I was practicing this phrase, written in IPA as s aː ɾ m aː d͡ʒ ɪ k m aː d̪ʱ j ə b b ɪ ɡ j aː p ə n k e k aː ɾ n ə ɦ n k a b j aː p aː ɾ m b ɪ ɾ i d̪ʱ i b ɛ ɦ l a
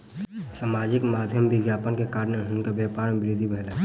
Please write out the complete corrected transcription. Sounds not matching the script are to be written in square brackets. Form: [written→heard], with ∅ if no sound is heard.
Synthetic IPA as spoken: s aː [ɾ→∅] m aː d͡ʒ ɪ k m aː d̪ʱ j ə [b→m] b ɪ ɡ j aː p ə n k e k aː ɾ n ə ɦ n k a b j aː p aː ɾ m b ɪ ɾ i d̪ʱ i b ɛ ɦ l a